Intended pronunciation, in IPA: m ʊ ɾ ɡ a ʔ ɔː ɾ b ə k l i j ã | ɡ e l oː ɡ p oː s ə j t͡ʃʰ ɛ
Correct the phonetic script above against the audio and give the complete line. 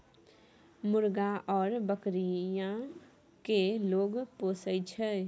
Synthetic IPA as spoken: m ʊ ɾ ɡ a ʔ ɔː ɾ b ə k ɾ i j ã | k e l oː ɡ p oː s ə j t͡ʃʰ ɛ